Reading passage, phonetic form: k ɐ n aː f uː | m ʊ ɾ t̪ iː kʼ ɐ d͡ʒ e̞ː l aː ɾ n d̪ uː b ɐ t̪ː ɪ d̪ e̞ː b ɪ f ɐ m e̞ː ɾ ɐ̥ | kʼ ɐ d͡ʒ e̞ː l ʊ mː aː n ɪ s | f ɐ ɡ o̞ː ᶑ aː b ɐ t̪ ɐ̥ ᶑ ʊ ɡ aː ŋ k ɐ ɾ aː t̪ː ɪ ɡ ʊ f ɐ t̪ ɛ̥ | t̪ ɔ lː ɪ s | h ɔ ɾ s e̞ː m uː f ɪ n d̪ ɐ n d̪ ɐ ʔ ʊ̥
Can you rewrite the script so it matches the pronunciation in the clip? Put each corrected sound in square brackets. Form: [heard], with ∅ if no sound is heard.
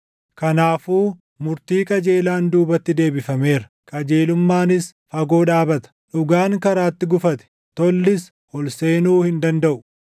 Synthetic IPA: k ɐ n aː f uː | m ʊ ɾ t̪ iː kʼ ɐ d͡ʒ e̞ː l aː [∅] n d̪ uː b ɐ t̪ː ɪ d̪ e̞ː b ɪ f ɐ m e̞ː ɾ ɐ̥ | kʼ ɐ d͡ʒ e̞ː l ʊ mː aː n ɪ s | f ɐ ɡ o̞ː ᶑ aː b ɐ t̪ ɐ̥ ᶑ ʊ ɡ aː ŋ k ɐ ɾ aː t̪ː ɪ ɡ ʊ f ɐ t̪ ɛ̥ | t̪ ɔ lː ɪ s | h ɔ [l] s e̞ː [n] uː [h] ɪ n d̪ ɐ n d̪ ɐ ʔ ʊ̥